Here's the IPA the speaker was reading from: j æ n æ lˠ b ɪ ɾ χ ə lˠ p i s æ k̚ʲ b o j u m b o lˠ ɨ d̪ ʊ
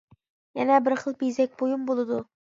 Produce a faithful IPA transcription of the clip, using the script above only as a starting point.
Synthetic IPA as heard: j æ n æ b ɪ ɾ χ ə lˠ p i z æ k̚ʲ b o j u m b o lˠ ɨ d̪ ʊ